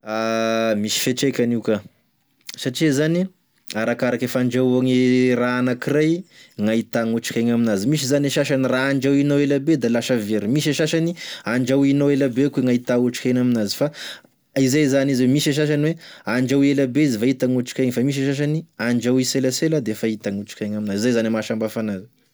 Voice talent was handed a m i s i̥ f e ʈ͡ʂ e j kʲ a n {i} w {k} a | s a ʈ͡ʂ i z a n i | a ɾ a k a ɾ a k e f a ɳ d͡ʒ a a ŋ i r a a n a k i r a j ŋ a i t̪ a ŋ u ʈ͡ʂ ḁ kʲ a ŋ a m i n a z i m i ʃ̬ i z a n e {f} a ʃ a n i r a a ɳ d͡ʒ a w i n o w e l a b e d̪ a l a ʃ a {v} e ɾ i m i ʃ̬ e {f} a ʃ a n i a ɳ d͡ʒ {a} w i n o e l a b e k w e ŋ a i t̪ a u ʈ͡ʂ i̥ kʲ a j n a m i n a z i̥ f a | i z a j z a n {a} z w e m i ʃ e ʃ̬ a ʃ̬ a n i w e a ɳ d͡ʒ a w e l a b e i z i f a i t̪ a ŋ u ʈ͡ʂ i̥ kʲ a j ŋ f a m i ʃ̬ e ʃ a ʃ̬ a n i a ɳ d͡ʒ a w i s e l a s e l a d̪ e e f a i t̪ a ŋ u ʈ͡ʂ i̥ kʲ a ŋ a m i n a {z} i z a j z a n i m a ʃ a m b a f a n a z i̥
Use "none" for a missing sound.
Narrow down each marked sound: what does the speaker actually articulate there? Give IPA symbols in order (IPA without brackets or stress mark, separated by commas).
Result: i, k, ʃ, v, ʃ, a, i, z